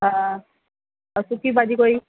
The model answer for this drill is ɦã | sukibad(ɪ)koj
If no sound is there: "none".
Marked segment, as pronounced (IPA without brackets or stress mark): i